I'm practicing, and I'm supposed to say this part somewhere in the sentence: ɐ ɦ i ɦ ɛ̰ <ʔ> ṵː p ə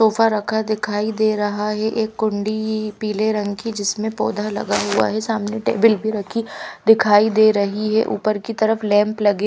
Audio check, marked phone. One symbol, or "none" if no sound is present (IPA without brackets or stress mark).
ʔ